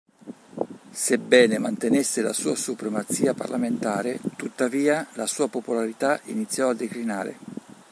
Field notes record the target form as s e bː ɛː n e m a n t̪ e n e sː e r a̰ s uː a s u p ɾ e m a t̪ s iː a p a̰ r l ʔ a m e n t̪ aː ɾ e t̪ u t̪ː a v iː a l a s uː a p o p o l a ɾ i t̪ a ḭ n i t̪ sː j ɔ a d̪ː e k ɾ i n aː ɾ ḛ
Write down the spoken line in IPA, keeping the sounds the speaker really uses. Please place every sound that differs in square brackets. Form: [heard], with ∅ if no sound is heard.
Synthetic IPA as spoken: s e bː ɛː n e m a n t̪ e n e sː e [l] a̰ s uː a s u p ɾ e m a t̪ s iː a p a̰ r l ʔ a m e n t̪ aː ɾ e t̪ u t̪ː a v iː a l a s uː a p o p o l a ɾ i t̪ a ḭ n i t̪ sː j ɔ a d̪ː e k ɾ i n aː ɾ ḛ